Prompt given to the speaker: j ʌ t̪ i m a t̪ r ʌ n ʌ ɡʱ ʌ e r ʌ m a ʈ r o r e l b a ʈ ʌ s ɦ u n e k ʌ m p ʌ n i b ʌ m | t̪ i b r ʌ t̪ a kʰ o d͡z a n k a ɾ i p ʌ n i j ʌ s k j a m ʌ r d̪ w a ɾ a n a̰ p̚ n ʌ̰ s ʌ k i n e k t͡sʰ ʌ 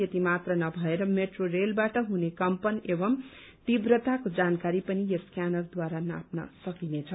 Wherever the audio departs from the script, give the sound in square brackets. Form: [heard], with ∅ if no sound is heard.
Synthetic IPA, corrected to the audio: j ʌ t̪ i m a t̪ r ʌ n ʌ [bʱ] ʌ e [ɾ] ʌ m [e] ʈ r o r e l b a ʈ ʌ [∅] ɦ u n e k ʌ m p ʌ n [e] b ʌ m | t̪ i b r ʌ t̪ a [k] o d͡z a n k a ɾ i p ʌ n i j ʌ s k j a [n] ʌ r d̪ w a ɾ a n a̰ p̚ n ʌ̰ s ʌ k i n e [∅] t͡sʰ ʌ